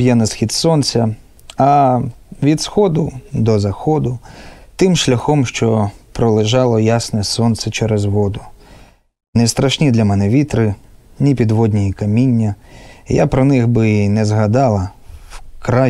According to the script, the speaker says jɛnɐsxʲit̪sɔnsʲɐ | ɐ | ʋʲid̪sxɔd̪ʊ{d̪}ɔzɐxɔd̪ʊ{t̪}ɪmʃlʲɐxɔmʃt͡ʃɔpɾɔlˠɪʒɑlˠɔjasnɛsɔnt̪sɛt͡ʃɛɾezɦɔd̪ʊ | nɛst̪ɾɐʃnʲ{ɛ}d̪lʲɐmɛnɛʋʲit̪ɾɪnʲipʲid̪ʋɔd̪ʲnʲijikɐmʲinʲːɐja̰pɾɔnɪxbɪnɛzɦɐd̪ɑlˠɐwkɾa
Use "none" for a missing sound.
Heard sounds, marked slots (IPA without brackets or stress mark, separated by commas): d̪, t̪, i